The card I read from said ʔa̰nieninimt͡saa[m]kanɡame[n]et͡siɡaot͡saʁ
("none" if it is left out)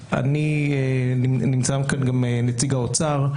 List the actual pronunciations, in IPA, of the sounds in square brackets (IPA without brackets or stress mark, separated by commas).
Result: m, n